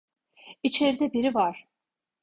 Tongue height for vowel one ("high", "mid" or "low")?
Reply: high